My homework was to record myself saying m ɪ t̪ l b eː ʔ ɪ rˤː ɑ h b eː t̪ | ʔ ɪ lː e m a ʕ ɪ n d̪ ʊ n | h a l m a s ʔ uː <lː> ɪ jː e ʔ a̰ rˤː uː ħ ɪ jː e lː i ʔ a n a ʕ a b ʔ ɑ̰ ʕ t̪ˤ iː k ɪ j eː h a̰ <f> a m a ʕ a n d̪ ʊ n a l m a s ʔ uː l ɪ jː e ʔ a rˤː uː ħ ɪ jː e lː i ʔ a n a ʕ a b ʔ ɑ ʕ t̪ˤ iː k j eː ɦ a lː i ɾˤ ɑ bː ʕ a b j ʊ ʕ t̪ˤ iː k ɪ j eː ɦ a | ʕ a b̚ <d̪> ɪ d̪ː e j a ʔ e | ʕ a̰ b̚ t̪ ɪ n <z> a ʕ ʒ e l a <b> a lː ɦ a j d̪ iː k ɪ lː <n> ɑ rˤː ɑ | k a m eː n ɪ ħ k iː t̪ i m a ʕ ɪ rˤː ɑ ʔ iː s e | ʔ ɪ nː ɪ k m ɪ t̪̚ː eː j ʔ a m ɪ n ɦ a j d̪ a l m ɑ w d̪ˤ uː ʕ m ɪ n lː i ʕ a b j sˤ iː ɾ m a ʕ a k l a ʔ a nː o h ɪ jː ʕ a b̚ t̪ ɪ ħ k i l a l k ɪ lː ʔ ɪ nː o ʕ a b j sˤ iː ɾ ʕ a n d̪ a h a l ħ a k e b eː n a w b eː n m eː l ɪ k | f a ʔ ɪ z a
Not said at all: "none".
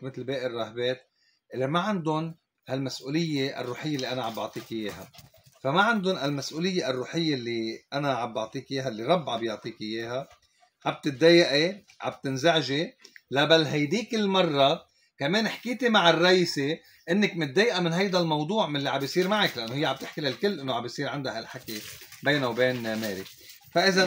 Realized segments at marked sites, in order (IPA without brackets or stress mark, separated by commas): l, f, t̪, z, b, m